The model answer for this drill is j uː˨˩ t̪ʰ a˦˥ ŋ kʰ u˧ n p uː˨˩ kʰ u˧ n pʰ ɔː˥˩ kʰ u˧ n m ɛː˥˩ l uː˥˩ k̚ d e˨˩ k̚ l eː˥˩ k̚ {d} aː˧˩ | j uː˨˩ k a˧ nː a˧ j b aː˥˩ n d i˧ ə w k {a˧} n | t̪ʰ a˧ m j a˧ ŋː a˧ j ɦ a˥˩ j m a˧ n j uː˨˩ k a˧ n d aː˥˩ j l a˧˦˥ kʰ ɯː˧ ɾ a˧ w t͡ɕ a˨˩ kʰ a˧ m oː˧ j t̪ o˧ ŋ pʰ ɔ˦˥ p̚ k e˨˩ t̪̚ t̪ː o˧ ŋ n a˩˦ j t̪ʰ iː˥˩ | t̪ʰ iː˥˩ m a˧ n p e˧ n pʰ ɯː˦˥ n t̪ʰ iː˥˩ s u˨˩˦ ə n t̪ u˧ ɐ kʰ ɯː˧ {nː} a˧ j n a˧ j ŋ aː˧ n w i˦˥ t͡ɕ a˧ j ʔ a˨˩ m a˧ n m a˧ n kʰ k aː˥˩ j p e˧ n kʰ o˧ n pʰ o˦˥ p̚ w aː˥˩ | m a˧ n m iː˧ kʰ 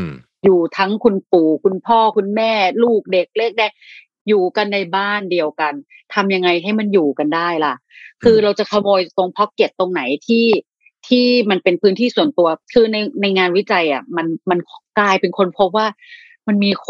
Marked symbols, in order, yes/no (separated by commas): yes, yes, no